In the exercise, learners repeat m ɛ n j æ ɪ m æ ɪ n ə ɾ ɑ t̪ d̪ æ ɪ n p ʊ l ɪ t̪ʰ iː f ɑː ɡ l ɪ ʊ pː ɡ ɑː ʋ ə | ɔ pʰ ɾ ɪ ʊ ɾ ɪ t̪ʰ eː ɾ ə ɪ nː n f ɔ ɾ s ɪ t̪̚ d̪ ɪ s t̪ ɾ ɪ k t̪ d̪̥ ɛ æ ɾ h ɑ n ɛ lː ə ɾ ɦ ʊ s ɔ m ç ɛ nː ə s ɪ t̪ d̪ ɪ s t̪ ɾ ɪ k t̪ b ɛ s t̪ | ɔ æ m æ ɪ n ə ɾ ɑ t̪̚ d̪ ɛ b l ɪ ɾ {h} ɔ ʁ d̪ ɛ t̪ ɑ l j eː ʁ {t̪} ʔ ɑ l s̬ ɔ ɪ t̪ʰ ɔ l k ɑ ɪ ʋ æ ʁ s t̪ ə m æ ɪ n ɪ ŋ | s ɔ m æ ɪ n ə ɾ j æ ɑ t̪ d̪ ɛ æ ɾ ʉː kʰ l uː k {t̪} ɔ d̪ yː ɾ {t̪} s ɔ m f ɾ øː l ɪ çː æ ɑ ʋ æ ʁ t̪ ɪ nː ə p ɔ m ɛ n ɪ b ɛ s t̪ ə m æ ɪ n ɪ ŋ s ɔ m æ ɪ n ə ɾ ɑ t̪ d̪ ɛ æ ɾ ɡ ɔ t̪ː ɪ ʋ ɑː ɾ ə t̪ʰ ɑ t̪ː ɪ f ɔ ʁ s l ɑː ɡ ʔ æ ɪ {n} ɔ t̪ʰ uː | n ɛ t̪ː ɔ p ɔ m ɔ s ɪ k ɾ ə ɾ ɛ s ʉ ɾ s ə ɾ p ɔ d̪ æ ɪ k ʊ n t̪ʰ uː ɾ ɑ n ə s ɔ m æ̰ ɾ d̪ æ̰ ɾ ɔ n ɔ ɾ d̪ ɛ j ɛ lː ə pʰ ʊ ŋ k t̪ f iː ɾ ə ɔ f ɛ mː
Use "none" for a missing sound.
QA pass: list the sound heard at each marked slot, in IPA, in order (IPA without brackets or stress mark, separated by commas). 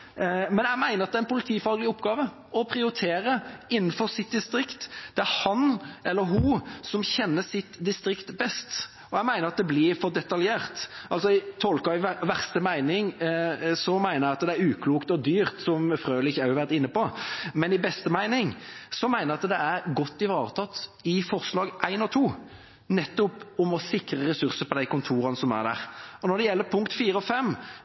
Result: f, t̪, t̪, t̪, n